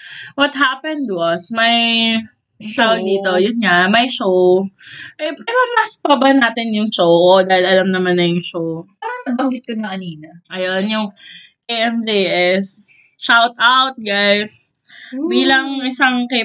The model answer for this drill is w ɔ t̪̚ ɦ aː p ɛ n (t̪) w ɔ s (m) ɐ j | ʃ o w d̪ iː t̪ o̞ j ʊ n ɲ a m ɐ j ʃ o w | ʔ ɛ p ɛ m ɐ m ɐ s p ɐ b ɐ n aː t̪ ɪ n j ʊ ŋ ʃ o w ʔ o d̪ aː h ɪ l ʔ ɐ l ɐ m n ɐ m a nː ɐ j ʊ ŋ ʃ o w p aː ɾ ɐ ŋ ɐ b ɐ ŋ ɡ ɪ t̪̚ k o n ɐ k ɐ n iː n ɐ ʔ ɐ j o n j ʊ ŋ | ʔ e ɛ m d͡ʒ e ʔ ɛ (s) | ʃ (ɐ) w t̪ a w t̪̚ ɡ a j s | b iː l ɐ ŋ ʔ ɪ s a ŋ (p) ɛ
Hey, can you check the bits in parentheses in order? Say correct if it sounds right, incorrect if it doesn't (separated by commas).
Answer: incorrect, correct, correct, incorrect, incorrect